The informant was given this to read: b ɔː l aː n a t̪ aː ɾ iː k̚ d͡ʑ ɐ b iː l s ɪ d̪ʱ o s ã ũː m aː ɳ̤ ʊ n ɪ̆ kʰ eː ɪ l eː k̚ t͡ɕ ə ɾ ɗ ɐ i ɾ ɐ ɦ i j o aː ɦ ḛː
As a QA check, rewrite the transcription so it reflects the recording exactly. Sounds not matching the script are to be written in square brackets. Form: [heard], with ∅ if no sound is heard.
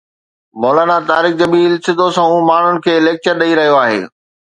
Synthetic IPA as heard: [m] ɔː l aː n a t̪ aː ɾ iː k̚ d͡ʑ ɐ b iː l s ɪ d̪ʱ o s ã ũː m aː ɳ̤ ʊ n ɪ̆ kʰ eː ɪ l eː k̚ t͡ɕ ə ɾ ɗ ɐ i ɾ ɐ ɦ i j o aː ɦ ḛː